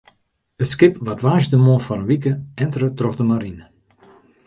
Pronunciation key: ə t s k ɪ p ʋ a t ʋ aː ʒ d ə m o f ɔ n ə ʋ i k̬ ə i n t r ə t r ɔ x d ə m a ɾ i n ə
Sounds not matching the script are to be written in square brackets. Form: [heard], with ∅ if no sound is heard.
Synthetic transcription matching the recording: ə t s k ɪ p ʋ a t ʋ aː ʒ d ə m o f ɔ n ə ʋ i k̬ ə [ɛ] n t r ə t r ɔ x d ə m a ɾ i n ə

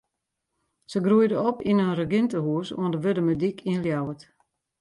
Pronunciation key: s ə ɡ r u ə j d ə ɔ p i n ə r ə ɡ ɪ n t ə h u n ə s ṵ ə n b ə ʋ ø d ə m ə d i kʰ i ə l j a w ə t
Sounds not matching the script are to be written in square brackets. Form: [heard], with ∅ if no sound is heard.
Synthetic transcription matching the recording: s ə ɡ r u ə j d ə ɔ p i n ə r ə ɡ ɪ n t ə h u [∅] ə s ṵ ə n [d] ə ʋ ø d ə m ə d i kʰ i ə l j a w ə t

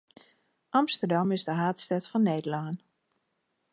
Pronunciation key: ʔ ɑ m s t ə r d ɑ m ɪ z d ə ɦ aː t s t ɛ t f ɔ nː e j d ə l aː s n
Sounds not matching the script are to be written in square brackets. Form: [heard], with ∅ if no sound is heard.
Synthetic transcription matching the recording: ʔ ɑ m s t ə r d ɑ m ɪ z d ə ɦ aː t s t ɛ t f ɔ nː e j d ə l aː [∅] n

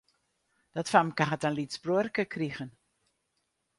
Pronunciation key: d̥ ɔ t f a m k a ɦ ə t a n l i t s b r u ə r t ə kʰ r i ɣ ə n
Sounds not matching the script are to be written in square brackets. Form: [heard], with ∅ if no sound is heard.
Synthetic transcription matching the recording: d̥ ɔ t f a m k a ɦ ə t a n l i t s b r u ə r [k] ə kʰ r i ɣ ə n

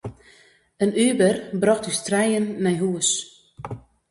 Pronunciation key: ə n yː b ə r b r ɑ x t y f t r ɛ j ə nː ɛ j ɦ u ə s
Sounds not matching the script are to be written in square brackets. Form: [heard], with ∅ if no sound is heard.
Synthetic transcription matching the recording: ə n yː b ə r b r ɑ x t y [s] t r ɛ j ə nː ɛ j ɦ u ə s

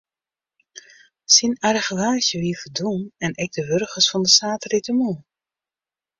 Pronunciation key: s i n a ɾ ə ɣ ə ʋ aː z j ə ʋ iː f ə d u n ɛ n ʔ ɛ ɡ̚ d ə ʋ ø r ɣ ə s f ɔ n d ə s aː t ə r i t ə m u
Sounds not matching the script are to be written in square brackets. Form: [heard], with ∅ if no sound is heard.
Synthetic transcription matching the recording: s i n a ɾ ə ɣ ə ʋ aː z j ə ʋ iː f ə d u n ɛ n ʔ ɛ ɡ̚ d ə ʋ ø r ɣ ə s f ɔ n d ə s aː t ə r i t ə m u

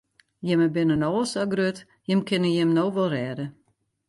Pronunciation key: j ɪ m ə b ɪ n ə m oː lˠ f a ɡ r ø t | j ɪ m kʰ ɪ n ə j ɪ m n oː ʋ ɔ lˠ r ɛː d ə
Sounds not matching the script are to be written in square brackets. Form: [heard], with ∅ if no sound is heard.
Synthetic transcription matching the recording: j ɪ m ə b ɪ n ə [n] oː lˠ [s] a ɡ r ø t | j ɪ m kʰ ɪ n ə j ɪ m n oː ʋ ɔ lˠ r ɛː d ə

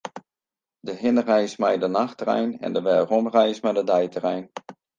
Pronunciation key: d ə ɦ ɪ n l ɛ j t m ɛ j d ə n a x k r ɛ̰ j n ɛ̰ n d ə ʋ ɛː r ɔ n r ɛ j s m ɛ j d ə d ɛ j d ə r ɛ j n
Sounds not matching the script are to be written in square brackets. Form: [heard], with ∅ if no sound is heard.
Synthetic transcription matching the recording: d ə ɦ ɪ n [r] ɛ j [s] m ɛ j d ə n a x [t] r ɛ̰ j n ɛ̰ n d ə ʋ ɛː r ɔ [m] r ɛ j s m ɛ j d ə d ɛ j [t] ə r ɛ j n

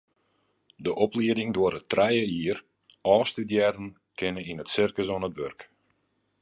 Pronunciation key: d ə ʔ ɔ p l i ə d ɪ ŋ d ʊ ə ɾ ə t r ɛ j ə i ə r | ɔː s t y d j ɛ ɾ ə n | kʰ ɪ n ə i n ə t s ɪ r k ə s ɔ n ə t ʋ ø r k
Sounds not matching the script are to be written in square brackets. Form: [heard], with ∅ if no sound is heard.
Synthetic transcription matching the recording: d ə ʔ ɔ p l i ə d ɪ ŋ d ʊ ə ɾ ə t r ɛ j ə i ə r | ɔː s t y d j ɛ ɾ ə n | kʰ ɪ n ə i n ə t s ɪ r k ə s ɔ n ə t ʋ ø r k

